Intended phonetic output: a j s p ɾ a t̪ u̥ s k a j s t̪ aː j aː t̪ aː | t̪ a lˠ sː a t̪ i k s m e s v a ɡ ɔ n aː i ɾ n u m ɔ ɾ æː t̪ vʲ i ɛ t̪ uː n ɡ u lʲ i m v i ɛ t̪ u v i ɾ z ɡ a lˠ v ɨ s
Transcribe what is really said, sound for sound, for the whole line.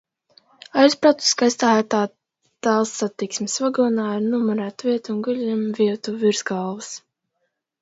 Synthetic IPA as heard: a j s p ɾ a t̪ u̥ s k a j s t̪ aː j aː t̪ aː | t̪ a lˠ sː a t̪ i k s m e s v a ɡ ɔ n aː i ɾ n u m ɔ ɾ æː t̪ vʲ i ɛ t̪ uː n ɡ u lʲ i m v i ɛ t̪ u v i ɾ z ɡ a lˠ v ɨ s